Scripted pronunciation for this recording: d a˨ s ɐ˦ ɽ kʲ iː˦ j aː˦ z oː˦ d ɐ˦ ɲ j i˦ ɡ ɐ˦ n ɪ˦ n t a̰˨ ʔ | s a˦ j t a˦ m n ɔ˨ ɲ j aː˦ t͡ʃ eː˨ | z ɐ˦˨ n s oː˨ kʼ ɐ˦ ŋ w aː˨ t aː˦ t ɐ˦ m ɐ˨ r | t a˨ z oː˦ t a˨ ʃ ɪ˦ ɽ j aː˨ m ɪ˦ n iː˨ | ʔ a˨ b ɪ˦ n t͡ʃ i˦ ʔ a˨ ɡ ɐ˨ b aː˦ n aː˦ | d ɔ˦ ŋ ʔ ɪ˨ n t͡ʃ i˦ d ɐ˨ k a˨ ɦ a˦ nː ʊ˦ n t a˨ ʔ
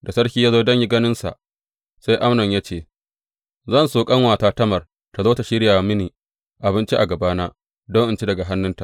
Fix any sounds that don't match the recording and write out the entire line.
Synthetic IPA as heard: d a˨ s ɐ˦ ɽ kʲ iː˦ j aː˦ z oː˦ d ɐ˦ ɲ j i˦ ɡ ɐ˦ n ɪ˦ n s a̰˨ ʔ | s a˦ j ʔ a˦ m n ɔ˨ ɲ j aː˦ t͡ʃ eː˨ | z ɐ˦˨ n s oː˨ kʼ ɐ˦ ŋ w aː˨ t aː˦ t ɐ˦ m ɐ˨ r | t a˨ z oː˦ t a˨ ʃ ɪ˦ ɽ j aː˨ m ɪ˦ n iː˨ | ʔ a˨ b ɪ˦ n t͡ʃ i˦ ʔ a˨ ɡ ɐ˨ b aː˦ n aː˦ | d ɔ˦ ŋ ʔ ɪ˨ n t͡ʃ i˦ d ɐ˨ ɡ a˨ ɦ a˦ nː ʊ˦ n t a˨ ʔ